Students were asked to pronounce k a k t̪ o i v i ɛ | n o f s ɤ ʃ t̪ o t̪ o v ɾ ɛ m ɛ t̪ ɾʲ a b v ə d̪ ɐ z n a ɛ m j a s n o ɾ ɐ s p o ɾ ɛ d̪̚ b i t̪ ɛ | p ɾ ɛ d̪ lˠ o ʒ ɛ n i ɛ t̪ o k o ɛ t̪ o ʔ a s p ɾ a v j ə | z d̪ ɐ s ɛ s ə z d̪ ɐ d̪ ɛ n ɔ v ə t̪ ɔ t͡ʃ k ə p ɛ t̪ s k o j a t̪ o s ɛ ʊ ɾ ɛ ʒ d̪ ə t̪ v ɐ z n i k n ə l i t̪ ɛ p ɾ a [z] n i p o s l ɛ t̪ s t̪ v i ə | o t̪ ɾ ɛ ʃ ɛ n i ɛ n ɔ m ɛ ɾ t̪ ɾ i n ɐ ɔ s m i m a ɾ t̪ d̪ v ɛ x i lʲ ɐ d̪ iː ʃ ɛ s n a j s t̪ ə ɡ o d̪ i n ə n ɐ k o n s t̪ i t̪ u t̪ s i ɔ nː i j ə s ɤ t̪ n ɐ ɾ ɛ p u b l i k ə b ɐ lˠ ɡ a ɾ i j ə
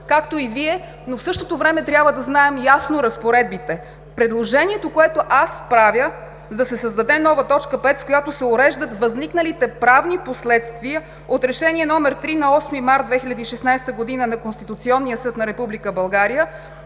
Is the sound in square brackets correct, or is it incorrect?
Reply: incorrect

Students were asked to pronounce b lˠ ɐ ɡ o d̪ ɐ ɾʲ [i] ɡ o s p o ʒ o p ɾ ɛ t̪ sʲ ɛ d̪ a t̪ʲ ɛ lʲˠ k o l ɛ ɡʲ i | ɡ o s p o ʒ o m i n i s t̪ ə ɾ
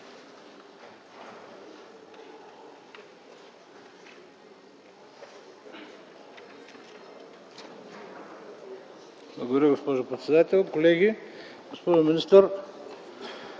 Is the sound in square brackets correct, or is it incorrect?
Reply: correct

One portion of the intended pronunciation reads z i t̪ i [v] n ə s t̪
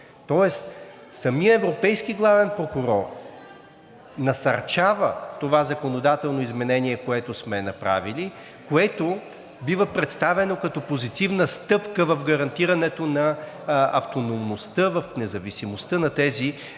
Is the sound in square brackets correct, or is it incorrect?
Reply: correct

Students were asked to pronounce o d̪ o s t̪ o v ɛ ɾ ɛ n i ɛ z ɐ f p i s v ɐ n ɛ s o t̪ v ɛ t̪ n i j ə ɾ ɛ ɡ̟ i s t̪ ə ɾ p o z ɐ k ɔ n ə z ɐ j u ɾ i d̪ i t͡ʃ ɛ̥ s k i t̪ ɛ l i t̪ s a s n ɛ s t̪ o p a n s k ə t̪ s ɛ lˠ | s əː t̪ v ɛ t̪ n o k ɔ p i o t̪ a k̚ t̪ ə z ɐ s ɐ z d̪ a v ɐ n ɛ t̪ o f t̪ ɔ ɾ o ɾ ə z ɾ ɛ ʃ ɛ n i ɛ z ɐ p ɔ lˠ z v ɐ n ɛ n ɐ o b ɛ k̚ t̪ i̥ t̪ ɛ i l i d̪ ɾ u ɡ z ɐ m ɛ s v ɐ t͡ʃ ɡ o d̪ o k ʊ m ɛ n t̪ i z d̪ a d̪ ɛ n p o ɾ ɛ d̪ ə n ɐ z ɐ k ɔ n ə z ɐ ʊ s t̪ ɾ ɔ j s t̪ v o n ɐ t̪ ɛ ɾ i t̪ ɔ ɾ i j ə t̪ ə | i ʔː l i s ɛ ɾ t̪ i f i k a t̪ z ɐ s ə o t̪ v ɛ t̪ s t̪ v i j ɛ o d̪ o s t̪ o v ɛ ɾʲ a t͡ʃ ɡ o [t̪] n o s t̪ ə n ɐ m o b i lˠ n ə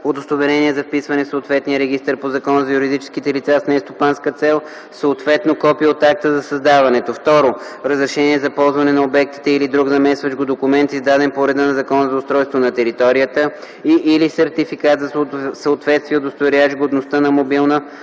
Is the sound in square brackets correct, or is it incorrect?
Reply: incorrect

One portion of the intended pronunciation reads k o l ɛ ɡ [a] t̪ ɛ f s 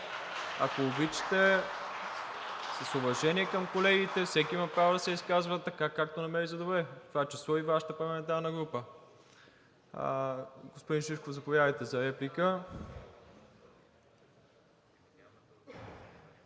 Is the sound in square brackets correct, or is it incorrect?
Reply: incorrect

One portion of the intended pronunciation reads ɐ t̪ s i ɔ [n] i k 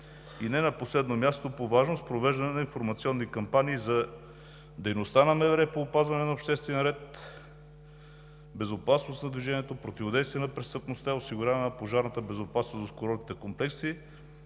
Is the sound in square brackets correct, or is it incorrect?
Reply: incorrect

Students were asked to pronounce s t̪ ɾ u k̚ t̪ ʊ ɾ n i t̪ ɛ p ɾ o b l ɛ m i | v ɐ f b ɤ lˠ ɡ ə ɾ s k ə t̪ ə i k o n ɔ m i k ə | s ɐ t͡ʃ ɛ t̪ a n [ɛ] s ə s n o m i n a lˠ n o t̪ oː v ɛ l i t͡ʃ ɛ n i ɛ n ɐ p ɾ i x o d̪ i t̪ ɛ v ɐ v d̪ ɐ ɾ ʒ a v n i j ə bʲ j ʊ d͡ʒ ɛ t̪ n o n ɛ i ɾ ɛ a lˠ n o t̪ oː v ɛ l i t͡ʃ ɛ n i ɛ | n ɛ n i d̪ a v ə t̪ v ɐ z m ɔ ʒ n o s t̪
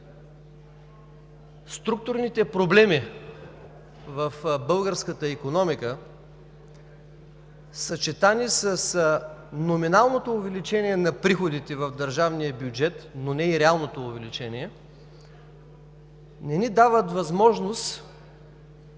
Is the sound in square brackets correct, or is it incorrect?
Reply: incorrect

